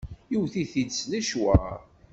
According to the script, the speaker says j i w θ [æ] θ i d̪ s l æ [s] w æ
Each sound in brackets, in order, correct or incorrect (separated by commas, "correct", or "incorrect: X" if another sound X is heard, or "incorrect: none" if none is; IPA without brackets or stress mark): incorrect: i, incorrect: ʃ